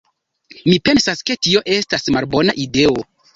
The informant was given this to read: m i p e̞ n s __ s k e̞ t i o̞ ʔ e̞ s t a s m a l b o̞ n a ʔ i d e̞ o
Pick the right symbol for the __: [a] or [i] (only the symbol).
a